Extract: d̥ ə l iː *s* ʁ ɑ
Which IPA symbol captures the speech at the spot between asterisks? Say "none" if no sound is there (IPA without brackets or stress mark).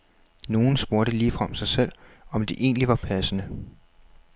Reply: f